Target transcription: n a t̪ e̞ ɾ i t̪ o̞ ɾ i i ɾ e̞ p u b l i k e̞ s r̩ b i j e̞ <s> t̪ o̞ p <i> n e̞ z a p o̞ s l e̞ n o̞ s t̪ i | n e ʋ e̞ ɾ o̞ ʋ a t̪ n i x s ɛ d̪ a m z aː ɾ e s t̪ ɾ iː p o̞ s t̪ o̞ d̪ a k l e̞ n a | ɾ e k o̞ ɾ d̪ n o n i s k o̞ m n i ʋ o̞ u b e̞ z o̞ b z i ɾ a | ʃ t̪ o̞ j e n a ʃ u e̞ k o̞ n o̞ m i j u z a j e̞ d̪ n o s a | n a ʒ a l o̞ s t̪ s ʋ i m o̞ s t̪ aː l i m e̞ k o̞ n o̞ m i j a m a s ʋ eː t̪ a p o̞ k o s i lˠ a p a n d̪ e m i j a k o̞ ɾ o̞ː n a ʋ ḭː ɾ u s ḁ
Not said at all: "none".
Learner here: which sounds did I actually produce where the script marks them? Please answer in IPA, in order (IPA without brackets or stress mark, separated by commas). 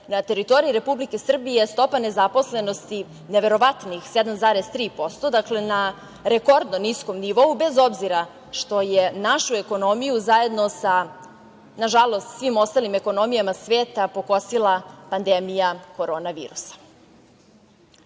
s, a